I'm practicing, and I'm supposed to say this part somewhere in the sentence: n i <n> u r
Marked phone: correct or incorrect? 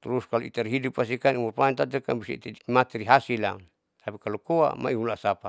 incorrect